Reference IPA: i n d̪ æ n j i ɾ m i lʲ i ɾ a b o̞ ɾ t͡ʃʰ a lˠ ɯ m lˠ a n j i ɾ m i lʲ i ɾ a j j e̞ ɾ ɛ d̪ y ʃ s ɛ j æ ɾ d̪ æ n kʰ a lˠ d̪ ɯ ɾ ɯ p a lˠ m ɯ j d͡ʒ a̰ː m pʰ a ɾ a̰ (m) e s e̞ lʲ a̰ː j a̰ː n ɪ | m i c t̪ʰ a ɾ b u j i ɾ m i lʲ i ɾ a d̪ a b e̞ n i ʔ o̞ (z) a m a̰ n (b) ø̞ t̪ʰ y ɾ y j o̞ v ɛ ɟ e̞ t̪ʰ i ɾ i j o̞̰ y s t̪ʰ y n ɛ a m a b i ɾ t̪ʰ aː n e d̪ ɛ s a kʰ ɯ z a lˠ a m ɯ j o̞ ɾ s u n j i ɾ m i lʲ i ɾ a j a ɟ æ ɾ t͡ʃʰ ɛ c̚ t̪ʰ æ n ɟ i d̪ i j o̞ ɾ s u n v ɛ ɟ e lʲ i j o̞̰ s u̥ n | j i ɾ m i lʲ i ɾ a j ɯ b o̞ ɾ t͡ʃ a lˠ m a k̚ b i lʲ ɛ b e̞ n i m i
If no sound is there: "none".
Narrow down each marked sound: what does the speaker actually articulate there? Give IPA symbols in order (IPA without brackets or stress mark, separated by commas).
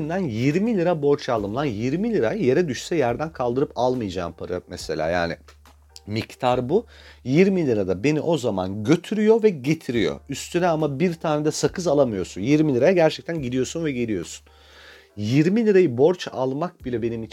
m, z, ɟ